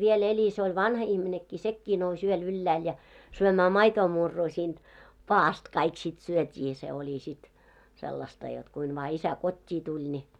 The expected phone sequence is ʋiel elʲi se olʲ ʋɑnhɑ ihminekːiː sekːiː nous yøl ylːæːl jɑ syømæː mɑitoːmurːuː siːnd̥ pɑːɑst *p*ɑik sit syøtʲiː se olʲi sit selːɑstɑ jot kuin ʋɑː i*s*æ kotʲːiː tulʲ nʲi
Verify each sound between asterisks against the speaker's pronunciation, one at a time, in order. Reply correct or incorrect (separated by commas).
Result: incorrect, correct